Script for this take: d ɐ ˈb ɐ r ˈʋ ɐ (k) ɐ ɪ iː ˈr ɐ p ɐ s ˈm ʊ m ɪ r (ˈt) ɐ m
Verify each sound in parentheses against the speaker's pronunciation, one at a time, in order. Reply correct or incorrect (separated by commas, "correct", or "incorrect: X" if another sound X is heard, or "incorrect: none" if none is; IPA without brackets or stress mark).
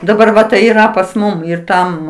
incorrect: t, correct